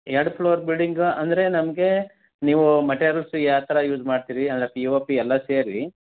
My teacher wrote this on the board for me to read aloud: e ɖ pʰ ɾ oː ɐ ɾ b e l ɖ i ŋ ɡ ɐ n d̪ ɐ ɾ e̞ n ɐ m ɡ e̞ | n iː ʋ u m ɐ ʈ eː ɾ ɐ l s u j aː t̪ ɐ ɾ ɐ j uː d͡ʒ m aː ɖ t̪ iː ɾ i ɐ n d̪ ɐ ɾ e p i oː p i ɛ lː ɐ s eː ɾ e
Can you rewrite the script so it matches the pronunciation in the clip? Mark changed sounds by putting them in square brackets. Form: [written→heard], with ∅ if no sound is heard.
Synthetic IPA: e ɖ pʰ [ɾ→l] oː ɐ ɾ b [e→i] l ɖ i ŋ ɡ ɐ n d̪ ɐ ɾ e̞ n ɐ m ɡ e̞ | n iː ʋ u m ɐ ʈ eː ɾ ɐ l s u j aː t̪ ɐ ɾ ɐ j uː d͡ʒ m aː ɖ t̪ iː ɾ i ɐ n d̪ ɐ ɾ e p i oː p i ɛ lː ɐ s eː ɾ [e→i]

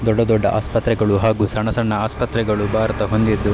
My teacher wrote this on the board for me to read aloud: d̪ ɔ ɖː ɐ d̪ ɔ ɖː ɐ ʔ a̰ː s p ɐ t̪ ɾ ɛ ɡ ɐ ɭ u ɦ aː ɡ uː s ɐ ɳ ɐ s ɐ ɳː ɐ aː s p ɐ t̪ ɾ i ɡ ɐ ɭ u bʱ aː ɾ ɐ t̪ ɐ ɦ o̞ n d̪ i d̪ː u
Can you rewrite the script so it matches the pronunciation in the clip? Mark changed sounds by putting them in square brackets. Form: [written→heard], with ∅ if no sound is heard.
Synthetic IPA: d̪ ɔ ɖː ɐ d̪ ɔ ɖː ɐ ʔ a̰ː s p ɐ t̪ ɾ ɛ ɡ ɐ ɭ u ɦ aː ɡ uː s ɐ ɳ ɐ s ɐ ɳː ɐ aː s p ɐ t̪ ɾ [i→ɛ] ɡ ɐ ɭ u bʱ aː ɾ ɐ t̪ ɐ ɦ o̞ n d̪ i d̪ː u

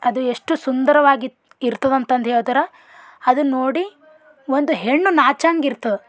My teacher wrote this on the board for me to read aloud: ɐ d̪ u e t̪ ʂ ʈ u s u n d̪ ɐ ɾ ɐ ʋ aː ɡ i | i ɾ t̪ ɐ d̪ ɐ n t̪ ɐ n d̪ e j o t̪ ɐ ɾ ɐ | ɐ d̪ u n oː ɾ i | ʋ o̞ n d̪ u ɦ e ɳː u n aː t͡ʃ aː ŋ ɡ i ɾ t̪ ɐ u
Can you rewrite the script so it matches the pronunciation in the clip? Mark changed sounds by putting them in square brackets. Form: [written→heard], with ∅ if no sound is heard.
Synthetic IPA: ɐ d̪ u e [t̪→∅] ʂ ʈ u s u n d̪ ɐ ɾ ɐ ʋ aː ɡ i | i ɾ t̪ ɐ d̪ ɐ n t̪ ɐ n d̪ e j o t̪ ɐ ɾ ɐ | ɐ d̪ u n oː [ɾ→ɽ] i | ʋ o̞ n d̪ u ɦ e ɳː u n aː t͡ʃ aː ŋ ɡ i ɾ t̪ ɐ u

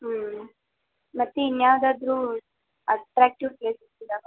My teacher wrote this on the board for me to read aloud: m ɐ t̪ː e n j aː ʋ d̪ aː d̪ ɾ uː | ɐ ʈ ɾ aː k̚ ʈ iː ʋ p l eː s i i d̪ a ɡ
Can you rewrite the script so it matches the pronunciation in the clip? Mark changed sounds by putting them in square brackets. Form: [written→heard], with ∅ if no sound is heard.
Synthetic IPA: m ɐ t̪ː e n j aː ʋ d̪ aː d̪ ɾ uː | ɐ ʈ ɾ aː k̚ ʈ [iː→i] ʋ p l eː s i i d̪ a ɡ

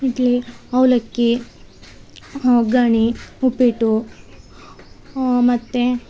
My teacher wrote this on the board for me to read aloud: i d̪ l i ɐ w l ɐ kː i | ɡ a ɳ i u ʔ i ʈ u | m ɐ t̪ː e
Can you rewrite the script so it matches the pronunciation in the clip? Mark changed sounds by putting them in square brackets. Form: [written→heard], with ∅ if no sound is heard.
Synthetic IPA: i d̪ l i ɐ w l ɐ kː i | ɡ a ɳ i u [ʔ→p] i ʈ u | m ɐ t̪ː e

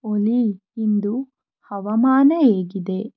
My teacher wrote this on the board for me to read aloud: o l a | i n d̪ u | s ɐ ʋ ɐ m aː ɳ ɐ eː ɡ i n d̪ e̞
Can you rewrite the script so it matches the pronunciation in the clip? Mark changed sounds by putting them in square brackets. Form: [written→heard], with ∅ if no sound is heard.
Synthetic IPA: o l [a→i] | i n d̪ u | [s→h] ɐ ʋ ɐ m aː [ɳ→n] ɐ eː ɡ i [n→∅] d̪ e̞

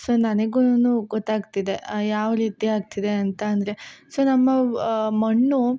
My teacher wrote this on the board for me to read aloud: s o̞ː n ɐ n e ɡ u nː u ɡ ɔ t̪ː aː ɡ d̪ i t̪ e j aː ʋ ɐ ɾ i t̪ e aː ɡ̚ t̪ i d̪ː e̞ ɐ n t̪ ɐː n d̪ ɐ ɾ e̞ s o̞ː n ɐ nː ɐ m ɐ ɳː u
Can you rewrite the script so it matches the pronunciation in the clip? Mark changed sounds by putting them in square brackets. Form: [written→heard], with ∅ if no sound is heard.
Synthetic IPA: s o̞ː n ɐ n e ɡ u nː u ɡ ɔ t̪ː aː ɡ [d̪→t̪] i [t̪→d̪] e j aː ʋ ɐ ɾ [i→iː] t̪ [e→i] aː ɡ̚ t̪ i [d̪ː→d̪] e̞ ɐ n t̪ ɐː n d̪ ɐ ɾ e̞ s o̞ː n ɐ [nː→mː] ɐ m ɐ ɳː u

